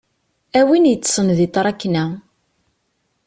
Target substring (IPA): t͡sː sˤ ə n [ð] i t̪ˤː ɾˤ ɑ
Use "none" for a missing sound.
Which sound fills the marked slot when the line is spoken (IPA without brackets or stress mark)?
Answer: ð